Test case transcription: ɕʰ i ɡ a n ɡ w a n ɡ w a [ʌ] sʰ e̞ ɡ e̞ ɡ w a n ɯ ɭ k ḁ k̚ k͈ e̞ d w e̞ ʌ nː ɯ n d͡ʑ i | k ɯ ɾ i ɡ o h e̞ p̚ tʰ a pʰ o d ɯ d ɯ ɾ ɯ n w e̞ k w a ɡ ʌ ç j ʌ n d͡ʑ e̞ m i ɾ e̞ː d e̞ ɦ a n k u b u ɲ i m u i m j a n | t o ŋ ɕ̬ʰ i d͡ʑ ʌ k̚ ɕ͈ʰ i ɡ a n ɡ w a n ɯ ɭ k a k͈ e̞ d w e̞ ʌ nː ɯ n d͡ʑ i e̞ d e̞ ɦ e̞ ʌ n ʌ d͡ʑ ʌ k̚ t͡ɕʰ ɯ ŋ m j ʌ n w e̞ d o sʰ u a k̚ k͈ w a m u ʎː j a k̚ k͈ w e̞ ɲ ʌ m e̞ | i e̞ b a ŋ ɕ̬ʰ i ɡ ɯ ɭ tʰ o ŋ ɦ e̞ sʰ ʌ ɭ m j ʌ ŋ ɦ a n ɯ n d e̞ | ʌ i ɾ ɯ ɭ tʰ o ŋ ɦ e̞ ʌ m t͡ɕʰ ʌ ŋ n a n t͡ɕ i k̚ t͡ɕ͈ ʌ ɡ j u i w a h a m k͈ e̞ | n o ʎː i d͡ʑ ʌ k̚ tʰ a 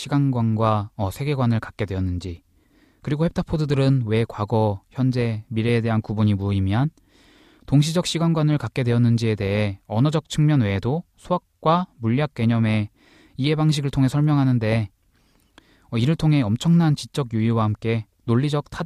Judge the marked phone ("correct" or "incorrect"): correct